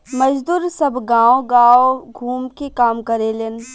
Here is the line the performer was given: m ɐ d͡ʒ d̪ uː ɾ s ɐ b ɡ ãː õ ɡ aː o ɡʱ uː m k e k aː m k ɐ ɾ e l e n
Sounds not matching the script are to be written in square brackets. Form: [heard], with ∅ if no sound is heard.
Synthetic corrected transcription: m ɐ d͡ʒ d̪ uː ɾ s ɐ b ɡ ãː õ ɡ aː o ɡʱ uː m k e k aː m k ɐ ɾ e l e n